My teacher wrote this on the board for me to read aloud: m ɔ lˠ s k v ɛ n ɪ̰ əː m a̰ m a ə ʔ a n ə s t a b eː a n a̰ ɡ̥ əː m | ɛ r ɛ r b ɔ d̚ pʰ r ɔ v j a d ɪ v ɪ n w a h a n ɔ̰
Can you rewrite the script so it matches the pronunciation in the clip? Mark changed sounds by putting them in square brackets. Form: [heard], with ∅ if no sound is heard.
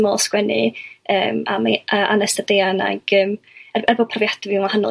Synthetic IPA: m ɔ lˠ s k [w] ɛ n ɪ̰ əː m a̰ m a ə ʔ a n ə s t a [d] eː a n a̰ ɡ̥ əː m | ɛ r ɛ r b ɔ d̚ pʰ r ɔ v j a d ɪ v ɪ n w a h a n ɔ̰